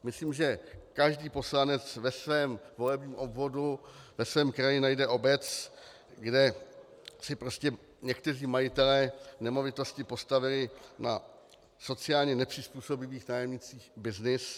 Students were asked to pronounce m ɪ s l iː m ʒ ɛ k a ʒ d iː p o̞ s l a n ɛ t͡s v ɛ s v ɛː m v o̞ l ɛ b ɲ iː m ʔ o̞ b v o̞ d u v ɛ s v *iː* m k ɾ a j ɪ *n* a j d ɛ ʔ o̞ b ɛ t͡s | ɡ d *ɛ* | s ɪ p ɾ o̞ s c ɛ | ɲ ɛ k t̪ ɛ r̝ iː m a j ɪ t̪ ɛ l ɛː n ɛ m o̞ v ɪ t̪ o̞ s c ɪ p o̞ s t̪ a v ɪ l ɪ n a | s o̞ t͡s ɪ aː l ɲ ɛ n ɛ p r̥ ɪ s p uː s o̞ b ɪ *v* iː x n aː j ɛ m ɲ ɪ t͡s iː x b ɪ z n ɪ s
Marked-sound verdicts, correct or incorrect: incorrect: ɛː, correct, correct, correct

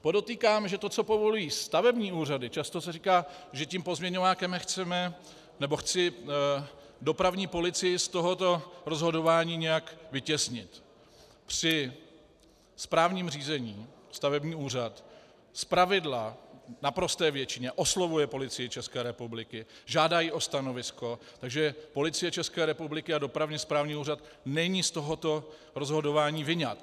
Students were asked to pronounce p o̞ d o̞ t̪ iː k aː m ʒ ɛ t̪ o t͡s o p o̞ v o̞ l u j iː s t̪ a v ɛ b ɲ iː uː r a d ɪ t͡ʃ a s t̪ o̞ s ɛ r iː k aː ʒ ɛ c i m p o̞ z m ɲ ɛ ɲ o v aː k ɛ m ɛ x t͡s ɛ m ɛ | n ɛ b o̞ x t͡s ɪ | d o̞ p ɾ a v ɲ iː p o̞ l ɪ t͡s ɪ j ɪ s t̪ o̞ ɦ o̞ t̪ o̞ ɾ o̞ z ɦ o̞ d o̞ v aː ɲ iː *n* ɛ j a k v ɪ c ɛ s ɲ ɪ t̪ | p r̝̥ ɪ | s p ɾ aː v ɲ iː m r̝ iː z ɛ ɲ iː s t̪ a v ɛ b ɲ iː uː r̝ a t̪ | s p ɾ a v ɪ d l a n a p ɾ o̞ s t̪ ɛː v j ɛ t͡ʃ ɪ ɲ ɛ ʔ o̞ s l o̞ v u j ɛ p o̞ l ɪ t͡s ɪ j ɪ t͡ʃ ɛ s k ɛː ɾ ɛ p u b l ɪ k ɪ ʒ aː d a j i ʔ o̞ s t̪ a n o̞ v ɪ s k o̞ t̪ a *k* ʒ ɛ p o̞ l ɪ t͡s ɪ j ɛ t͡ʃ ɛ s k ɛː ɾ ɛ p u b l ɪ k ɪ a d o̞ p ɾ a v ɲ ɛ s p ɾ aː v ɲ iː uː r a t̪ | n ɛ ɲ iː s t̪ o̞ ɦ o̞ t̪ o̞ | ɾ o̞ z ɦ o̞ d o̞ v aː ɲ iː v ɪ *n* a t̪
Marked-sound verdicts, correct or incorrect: incorrect: ɲ, incorrect: ɡ, incorrect: ɲ

